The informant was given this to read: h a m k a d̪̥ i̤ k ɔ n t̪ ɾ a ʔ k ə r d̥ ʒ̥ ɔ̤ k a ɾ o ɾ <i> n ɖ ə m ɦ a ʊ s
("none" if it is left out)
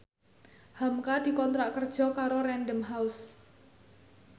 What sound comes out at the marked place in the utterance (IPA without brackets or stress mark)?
ɛ